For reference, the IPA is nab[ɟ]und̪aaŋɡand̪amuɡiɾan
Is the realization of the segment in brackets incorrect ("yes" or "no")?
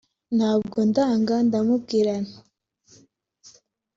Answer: yes